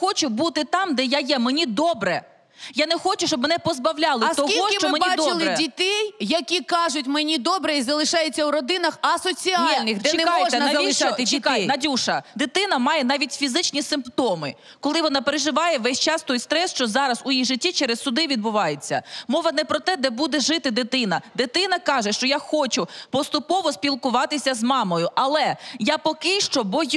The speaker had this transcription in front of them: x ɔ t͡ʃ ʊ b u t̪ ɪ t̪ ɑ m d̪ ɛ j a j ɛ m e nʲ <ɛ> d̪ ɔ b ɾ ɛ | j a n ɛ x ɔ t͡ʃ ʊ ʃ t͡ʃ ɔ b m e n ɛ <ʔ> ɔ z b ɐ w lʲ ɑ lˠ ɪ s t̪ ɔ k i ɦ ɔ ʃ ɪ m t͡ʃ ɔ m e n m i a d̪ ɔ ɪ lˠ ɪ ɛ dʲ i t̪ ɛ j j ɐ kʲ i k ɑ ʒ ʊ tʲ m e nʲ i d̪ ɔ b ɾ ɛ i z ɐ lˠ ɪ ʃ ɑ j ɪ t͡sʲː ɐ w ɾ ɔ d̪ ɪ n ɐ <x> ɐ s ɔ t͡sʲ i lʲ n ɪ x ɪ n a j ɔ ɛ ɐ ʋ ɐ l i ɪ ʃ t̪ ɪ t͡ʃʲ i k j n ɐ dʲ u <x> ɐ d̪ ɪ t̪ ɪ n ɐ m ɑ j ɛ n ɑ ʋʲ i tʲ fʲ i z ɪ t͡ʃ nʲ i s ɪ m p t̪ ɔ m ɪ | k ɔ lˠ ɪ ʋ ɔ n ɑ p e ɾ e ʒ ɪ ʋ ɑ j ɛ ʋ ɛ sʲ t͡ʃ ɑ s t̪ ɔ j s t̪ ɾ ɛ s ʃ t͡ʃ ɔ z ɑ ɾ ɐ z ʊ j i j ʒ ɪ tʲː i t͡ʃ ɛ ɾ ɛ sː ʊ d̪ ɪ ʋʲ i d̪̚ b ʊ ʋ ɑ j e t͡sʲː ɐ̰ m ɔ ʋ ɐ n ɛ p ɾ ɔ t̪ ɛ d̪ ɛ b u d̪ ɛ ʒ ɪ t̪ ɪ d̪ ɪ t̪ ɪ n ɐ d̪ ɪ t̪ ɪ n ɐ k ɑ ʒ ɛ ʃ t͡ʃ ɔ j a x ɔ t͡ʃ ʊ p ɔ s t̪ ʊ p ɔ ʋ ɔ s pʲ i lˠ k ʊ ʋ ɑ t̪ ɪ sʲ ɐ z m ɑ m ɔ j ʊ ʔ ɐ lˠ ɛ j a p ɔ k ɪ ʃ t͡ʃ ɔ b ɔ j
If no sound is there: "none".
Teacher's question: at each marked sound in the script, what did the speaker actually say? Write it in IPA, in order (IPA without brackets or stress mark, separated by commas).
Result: i, p, x, ʃ